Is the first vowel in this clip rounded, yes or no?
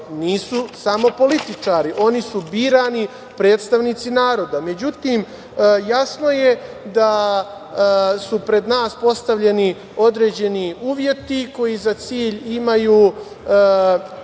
no